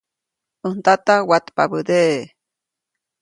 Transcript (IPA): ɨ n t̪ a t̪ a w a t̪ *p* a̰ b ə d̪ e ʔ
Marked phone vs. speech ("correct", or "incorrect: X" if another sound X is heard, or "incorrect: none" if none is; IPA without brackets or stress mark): correct